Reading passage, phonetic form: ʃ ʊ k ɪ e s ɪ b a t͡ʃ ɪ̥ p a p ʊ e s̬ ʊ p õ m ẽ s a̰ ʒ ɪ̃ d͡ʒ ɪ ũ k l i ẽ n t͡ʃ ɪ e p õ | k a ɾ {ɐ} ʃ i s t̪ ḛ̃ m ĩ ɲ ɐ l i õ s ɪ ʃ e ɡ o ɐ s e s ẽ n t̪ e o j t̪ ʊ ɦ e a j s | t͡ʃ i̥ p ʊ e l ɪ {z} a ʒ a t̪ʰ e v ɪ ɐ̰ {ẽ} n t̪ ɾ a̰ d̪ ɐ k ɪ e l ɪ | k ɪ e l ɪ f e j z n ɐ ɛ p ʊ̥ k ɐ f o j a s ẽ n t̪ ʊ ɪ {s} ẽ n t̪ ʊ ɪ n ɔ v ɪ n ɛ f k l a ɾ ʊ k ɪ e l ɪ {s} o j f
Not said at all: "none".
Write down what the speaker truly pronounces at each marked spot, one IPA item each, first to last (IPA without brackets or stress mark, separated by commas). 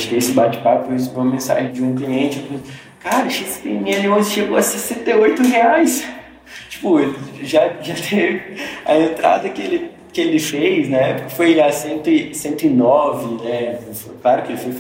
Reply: ɐ, ʒ, ẽ, s, f